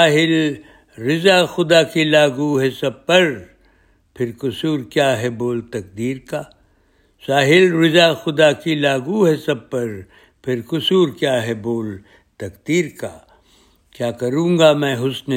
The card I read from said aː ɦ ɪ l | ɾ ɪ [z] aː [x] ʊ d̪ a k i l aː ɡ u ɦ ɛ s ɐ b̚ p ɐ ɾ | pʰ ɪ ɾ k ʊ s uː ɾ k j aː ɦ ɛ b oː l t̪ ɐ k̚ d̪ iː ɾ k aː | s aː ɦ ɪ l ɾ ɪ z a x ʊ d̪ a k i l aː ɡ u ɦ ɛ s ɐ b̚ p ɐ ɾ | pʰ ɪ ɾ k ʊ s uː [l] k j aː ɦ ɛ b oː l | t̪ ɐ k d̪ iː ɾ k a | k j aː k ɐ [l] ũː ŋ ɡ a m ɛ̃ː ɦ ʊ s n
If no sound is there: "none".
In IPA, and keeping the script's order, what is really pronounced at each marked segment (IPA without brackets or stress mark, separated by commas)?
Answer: z, x, ɾ, ɾ